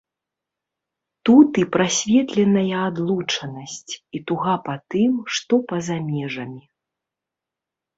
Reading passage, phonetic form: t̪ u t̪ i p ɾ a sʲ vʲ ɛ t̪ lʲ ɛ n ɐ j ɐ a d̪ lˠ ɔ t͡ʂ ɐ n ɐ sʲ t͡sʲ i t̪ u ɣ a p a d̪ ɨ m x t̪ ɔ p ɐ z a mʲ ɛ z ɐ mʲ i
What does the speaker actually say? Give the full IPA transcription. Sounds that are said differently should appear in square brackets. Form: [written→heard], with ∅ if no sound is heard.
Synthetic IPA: t̪ u t̪ i p ɾ a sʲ vʲ ɛ t̪ lʲ ɛ n ɐ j ɐ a d̪ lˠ [ɔ→u] t͡ʂ ɐ n ɐ sʲ t͡sʲ i t̪ u ɣ a p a [d̪→t̪] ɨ m [x→ʂ] t̪ ɔ p ɐ z a mʲ ɛ [z→ʐ] ɐ mʲ i